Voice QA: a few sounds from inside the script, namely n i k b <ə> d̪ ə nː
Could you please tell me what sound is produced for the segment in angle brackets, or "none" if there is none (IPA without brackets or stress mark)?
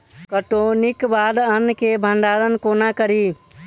a